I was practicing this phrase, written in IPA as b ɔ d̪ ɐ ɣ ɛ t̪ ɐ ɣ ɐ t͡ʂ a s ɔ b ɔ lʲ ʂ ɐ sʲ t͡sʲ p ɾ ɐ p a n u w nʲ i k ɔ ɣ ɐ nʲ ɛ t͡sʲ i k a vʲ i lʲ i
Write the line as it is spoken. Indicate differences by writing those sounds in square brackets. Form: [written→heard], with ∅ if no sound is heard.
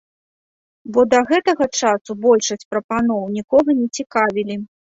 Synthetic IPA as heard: b ɔ d̪ ɐ ɣ ɛ t̪ ɐ ɣ ɐ t͡ʂ a s [ɔ→u] b ɔ lʲ ʂ ɐ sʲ t͡sʲ p ɾ ɐ p a n [u→ɔ] w nʲ i k ɔ ɣ ɐ nʲ ɛ t͡sʲ i k a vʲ i lʲ i